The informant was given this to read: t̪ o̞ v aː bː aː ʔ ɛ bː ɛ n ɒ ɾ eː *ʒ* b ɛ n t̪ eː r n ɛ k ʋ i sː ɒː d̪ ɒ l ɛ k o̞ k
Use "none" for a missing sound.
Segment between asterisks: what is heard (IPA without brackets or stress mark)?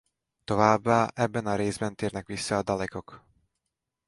z